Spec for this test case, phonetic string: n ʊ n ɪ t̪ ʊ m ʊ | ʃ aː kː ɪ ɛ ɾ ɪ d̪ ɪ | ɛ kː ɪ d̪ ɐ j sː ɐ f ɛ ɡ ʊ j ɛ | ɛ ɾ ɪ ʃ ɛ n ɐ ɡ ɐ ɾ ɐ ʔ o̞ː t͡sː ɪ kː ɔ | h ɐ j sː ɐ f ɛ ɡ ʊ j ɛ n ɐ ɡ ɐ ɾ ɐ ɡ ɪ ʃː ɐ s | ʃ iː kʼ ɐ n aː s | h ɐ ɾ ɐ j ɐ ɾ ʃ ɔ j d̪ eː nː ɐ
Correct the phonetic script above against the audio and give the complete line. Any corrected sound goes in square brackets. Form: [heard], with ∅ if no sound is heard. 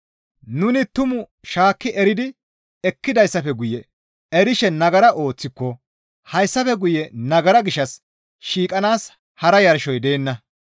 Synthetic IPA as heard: n ʊ n ɪ t̪ ʊ m ʊ | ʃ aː kː ɪ ɛ ɾ ɪ d̪ ɪ | ɛ kː ɪ d̪ ɐ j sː ɐ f ɛ ɡ ʊ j ɛ | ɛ ɾ ɪ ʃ ɛ n ɐ ɡ ɐ ɾ ɐ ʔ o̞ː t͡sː ɪ kː ɔ | h ɐ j sː ɐ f ɛ ɡ ʊ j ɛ n ɐ ɡ ɐ ɾ ɐ ɡ ɪ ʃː ɐ s | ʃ iː kʼ ɐ n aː s | h ɐ ɾ ɐ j ɐ ɾ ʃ ɔ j d̪ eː nː ɐ